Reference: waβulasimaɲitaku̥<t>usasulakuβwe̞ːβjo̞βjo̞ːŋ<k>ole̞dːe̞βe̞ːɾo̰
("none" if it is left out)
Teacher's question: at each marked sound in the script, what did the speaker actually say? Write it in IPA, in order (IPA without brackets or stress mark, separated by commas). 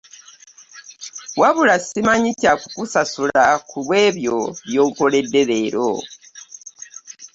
k, k